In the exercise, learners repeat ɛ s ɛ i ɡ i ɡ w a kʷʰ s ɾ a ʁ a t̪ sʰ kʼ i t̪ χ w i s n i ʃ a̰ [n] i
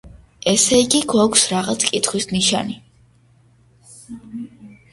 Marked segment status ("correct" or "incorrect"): correct